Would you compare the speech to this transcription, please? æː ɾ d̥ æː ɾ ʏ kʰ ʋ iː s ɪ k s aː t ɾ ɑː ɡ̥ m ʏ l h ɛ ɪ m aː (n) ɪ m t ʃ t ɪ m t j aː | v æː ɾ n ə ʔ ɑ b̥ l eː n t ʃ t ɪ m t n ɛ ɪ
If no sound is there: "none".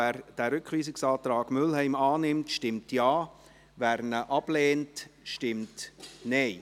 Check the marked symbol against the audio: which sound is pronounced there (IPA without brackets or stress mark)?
n